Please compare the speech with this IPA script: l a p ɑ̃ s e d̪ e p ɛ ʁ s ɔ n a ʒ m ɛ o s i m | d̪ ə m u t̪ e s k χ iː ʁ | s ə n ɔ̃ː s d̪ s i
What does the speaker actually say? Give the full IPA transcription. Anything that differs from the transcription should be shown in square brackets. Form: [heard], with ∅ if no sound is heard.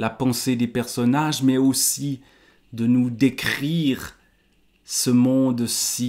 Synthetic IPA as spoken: l a p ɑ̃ s e d̪ e p ɛ ʁ s ɔ n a ʒ m ɛ o s i [∅] | d̪ ə [n] u [d̪] e [∅] k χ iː ʁ | s ə [m] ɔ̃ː [∅] d̪ s i

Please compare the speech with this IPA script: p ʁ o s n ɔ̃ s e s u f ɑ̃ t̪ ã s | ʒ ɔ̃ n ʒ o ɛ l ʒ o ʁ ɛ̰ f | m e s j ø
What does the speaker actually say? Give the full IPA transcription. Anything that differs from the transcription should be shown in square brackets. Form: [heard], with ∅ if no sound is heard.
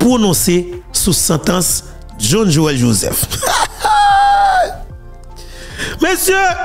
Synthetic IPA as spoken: p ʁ o [∅] n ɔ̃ s e s u [s] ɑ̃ t̪ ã s | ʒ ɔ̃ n ʒ o ɛ l ʒ o [z] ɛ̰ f | m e s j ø

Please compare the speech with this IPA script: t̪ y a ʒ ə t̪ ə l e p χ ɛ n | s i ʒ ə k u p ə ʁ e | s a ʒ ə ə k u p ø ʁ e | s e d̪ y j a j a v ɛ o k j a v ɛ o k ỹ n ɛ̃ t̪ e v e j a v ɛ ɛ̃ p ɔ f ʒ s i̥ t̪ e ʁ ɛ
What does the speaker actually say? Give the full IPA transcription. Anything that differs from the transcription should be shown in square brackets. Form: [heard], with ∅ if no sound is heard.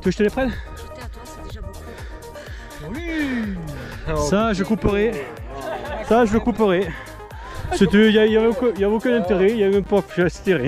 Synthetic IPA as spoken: t̪ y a ʒ ə t̪ ə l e p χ ɛ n | s [a] ʒ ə k u p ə ʁ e | s a ʒ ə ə k u p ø ʁ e | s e [t̪] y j a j a v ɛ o k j a v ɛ o k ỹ n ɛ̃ t̪ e [ʁ] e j a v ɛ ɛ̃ p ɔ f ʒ s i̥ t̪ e ʁ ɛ

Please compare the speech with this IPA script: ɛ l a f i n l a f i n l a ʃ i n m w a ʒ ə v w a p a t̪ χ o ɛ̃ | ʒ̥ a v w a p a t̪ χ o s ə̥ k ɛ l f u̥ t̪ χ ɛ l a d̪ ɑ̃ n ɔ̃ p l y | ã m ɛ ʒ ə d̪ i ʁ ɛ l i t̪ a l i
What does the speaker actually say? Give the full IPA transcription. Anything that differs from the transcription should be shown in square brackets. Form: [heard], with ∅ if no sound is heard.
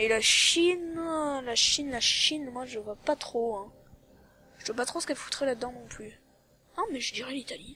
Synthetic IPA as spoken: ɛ l a [ʃ] i n l a [ʃ] i n l a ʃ i n m w a ʒ ə v w a p a t̪ χ o ɛ̃ | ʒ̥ [ə] v w a p a t̪ χ o s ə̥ k ɛ l f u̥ t̪ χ ɛ l a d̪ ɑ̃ n ɔ̃ p l y | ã m ɛ ʒ ə d̪ i ʁ ɛ l i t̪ a l i

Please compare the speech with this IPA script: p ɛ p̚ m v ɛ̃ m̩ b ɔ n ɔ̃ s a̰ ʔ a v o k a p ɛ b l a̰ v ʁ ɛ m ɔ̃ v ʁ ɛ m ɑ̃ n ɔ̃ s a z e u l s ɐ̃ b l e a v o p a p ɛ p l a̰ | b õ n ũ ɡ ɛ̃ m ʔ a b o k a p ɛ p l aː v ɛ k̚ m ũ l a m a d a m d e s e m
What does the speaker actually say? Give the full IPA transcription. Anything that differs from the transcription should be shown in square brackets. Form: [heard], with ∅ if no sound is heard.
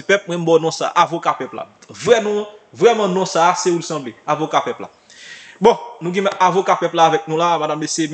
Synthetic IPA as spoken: p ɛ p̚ m [w] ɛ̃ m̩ b ɔ n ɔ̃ s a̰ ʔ a v o k a p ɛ [p] l a̰ v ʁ ɛ m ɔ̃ v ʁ ɛ m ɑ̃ n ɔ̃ s a [s] e u l s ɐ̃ b l e a v o [k] a p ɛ p l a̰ | b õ n ũ ɡ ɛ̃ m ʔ a [v] o k a p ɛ p l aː v ɛ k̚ [n] ũ l a m a d a m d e s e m

